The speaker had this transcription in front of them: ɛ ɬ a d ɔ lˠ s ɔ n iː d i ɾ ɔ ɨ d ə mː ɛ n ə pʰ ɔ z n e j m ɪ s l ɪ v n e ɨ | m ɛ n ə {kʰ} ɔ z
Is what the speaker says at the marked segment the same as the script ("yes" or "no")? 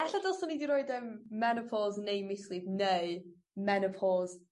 no